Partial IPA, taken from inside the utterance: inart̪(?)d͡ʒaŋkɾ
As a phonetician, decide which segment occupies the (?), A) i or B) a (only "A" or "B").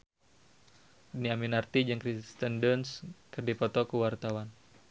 A